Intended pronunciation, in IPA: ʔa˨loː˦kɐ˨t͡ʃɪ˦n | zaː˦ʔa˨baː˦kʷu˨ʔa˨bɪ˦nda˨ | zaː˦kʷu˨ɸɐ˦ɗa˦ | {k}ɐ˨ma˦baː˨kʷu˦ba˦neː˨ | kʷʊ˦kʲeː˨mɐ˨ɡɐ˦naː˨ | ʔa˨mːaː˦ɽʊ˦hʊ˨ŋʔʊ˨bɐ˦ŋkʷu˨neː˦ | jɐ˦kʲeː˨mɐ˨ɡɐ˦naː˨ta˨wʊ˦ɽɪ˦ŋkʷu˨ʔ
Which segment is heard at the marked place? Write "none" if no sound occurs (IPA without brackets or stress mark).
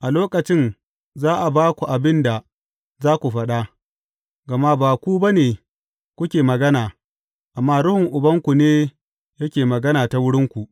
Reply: ɡ